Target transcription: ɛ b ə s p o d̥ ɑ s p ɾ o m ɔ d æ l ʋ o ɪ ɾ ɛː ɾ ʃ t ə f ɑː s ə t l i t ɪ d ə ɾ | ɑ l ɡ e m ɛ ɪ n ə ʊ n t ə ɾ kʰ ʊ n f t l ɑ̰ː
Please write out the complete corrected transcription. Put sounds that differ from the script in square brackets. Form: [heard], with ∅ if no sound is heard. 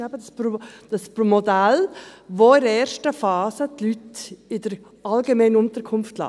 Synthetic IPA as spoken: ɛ b ə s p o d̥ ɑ s p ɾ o m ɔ d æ l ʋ o ɪ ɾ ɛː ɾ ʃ t ə f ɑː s ə t l [y] t ɪ d ə ɾ | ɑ l ɡ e m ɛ ɪ n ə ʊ n t ə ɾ kʰ ʊ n f t l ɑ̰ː